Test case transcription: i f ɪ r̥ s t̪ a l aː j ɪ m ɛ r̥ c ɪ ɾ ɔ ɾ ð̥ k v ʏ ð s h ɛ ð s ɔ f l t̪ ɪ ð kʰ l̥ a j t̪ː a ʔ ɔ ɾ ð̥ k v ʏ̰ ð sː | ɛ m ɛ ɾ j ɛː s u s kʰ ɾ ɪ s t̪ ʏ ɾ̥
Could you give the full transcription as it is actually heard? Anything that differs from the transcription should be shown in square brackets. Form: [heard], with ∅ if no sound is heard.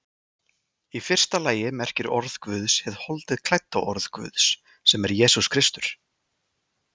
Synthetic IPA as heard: i f ɪ r̥ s t̪ a l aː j ɪ m ɛ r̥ c ɪ ɾ ɔ ɾ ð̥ k v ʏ ð s h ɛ ð [h] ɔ [∅] l t̪ ɪ ð kʰ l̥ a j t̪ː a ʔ ɔ ɾ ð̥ k v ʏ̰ ð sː | ɛ m ɛ ɾ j ɛː s u s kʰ ɾ ɪ s t̪ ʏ ɾ̥